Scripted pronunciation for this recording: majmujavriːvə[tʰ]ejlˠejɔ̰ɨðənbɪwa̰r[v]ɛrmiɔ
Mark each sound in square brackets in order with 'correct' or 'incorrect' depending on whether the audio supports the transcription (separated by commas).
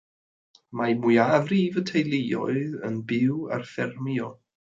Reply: correct, incorrect